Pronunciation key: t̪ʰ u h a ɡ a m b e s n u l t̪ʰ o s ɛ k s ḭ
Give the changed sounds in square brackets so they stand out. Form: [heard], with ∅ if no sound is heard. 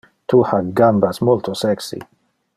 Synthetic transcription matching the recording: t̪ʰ u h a ɡ a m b [a] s [m] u l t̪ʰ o s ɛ k s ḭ